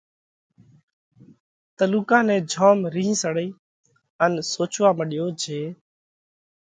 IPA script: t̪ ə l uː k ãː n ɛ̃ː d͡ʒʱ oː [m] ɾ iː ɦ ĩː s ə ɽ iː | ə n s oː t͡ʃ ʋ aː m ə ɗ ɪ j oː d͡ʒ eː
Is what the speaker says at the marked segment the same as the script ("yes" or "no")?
yes